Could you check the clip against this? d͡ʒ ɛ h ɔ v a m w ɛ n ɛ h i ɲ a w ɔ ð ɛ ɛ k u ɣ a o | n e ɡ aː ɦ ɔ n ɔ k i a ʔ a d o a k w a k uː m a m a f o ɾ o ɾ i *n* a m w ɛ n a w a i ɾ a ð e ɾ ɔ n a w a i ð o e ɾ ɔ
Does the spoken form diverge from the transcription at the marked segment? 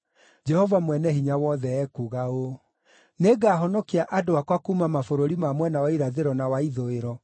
yes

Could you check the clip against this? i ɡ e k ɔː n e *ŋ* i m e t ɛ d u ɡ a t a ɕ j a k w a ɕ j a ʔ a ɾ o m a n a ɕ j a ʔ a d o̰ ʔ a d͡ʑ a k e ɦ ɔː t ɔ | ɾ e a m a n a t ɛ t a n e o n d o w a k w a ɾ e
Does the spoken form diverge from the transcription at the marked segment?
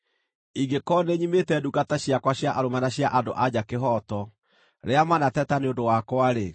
yes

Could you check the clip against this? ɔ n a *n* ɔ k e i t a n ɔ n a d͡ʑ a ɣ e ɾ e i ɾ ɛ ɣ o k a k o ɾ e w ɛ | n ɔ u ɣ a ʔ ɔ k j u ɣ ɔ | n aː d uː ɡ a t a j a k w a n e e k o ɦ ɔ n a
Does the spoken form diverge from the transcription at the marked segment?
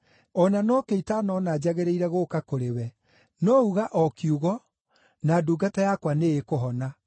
no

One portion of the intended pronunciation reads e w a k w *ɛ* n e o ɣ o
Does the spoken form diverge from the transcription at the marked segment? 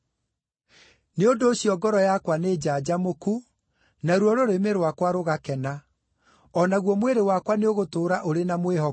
yes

